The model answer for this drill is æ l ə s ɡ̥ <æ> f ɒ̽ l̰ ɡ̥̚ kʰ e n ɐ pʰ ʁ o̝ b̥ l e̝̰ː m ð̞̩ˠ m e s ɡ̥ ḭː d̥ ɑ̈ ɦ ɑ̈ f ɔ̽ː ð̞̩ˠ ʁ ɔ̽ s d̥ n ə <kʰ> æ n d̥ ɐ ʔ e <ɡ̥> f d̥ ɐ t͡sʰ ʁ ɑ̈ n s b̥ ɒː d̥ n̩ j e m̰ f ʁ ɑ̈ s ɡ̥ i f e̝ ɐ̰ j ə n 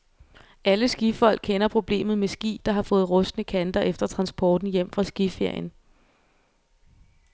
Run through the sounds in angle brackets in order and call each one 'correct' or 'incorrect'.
incorrect, correct, incorrect

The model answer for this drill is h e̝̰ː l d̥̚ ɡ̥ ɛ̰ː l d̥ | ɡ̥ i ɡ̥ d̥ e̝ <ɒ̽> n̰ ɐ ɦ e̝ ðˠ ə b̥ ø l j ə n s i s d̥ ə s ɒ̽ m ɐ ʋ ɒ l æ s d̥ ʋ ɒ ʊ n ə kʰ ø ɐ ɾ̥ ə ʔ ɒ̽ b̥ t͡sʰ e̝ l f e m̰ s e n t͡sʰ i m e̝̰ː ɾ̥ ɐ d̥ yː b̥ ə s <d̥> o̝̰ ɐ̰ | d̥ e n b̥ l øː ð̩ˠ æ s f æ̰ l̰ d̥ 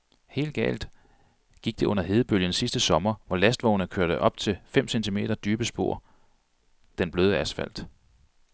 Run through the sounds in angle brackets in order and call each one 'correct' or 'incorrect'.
incorrect, incorrect

